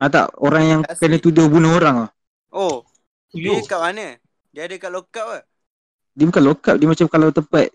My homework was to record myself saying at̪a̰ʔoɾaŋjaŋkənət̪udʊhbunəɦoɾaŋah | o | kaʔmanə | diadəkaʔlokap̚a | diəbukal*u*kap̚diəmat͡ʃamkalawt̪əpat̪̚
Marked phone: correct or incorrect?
incorrect